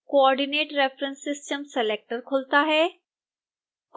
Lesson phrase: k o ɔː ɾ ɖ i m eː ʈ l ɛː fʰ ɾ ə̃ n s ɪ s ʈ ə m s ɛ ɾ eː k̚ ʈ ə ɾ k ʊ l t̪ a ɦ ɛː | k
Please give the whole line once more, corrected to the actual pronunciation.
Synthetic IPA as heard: k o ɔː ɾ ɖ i n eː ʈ ɾ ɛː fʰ ɾ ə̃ n s ɪ s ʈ ə m s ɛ l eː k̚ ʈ ə ɾ kʰ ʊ l t̪ a ɦ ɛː | k